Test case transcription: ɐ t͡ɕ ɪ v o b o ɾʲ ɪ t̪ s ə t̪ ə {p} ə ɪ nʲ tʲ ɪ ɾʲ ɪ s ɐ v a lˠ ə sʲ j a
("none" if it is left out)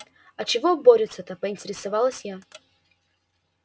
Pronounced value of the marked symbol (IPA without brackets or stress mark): p